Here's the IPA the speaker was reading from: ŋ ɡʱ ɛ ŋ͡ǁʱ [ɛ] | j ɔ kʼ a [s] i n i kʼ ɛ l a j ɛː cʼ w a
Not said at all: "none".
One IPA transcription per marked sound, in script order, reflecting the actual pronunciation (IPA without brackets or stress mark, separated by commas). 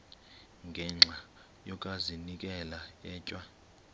a, z